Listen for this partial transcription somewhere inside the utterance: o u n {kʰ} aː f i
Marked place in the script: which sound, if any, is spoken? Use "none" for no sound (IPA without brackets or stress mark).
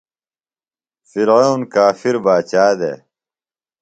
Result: k